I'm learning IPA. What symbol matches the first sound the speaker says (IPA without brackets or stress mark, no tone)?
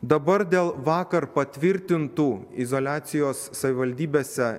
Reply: d̪